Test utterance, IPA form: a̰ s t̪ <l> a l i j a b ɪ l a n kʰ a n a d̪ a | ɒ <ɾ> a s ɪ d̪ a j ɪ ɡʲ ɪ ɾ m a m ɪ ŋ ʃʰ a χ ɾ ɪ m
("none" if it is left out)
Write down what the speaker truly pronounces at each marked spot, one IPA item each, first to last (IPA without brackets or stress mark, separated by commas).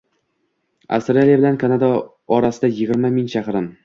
ɾ, ɾ